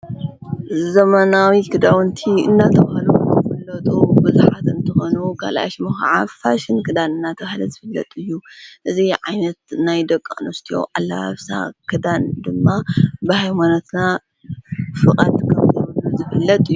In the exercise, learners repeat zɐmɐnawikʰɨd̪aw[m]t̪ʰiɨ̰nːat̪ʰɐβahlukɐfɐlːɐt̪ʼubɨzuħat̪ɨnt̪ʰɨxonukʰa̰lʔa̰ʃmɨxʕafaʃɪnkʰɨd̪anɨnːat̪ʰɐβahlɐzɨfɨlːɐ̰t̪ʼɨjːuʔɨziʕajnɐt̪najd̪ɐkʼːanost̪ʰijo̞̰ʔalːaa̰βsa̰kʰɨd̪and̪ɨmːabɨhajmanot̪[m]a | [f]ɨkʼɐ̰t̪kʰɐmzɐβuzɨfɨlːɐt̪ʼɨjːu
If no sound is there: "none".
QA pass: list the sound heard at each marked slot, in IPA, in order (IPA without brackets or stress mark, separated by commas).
n, n, f